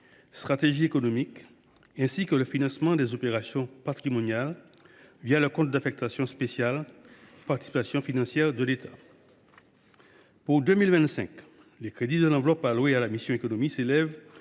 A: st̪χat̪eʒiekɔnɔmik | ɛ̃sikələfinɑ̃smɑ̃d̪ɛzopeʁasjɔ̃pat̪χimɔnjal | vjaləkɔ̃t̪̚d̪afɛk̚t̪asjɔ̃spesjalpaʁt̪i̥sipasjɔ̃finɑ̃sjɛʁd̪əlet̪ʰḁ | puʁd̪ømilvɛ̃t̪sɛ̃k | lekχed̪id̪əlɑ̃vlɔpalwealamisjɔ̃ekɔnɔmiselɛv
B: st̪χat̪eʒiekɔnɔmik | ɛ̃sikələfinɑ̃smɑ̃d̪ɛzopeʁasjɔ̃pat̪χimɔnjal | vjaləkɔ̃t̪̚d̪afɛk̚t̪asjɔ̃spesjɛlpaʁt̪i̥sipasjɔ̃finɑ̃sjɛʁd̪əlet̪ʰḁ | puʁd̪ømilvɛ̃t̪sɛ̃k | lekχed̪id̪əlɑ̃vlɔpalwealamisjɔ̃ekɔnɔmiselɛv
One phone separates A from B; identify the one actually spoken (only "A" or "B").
A